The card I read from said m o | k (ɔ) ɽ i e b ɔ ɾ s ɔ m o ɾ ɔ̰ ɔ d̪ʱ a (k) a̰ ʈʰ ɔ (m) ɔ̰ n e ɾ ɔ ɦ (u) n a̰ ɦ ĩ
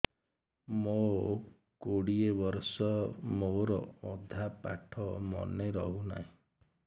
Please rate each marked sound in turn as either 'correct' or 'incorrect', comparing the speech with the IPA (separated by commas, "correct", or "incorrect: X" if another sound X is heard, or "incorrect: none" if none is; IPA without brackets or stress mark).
incorrect: o, incorrect: p, correct, correct